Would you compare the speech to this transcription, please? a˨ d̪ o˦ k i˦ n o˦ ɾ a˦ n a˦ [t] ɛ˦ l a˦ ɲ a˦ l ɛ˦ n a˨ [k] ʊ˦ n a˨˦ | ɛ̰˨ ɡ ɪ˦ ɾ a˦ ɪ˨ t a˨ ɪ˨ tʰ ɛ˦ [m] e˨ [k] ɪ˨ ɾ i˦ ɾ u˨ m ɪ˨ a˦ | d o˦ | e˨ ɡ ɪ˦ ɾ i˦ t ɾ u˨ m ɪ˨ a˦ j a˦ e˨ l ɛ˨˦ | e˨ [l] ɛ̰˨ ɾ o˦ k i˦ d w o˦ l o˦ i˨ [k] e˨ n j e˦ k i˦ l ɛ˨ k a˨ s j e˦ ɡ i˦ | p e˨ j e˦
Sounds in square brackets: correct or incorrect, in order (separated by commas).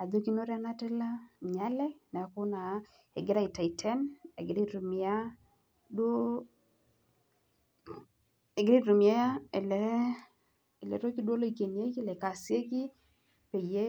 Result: correct, correct, incorrect, incorrect, correct, correct